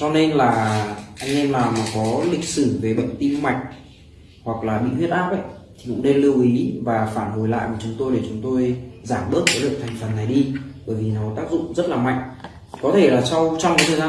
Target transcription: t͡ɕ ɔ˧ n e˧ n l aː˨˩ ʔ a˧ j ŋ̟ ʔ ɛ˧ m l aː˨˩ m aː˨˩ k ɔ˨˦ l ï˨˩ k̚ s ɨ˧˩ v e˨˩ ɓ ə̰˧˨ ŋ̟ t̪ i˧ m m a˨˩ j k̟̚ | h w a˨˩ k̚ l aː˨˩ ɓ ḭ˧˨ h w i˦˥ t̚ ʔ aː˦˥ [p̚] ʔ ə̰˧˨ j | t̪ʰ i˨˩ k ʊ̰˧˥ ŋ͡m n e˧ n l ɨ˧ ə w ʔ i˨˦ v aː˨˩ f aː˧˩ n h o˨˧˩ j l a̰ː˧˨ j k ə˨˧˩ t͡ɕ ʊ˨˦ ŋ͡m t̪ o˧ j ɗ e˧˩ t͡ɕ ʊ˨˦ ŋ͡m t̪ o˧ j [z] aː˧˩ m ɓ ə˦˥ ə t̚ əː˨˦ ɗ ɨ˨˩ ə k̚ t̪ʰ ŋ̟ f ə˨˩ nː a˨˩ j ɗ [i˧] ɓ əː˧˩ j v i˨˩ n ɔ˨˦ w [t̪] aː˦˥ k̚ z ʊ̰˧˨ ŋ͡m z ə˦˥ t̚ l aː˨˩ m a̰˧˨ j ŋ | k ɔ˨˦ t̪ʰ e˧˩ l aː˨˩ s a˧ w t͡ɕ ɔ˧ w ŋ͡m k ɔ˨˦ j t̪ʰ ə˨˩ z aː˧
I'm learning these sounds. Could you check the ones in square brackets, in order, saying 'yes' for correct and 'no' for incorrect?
yes, yes, yes, yes

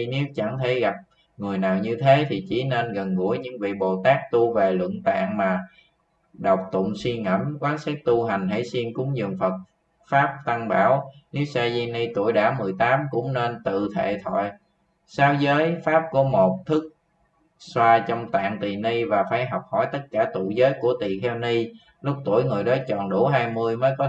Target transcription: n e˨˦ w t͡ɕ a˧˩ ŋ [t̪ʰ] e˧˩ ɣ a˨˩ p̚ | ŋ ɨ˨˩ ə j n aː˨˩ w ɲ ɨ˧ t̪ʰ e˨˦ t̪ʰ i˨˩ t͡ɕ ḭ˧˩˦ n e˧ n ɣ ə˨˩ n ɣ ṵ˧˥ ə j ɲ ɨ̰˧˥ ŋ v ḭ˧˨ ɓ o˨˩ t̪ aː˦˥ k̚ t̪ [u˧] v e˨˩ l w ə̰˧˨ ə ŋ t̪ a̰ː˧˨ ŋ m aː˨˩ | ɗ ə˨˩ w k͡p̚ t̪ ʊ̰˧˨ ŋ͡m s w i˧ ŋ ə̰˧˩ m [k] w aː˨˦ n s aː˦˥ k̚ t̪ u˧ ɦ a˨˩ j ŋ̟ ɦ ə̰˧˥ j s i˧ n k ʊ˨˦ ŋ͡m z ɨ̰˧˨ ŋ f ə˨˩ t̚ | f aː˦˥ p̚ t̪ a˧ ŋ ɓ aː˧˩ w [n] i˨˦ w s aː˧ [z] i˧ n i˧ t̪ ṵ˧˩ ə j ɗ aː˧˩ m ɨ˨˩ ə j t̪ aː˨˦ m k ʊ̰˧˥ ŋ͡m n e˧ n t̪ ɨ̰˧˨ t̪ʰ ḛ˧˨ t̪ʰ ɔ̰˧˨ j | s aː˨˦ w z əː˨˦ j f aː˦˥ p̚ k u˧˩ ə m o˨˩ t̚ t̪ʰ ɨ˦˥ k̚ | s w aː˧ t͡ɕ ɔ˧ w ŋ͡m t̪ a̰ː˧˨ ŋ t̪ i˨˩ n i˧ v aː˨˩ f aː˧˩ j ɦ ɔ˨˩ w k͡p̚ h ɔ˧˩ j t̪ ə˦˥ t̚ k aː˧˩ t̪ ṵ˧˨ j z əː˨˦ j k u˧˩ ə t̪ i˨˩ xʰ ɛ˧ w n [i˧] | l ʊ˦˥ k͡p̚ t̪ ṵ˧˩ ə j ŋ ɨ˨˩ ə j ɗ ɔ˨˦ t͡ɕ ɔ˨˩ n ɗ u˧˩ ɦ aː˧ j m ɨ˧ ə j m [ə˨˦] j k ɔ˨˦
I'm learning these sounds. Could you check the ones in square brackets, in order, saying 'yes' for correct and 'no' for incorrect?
yes, yes, yes, yes, yes, yes, no

